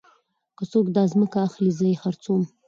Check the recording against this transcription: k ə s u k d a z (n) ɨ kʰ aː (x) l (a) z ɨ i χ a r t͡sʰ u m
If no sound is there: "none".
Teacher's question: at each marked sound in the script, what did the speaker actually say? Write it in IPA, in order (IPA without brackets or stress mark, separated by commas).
m, χ, i